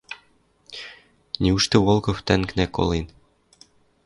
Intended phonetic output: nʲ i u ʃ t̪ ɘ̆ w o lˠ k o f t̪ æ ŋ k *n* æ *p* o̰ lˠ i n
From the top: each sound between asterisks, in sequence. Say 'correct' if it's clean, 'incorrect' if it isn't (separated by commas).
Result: correct, incorrect